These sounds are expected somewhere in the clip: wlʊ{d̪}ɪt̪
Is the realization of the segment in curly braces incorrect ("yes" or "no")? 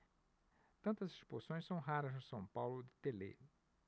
no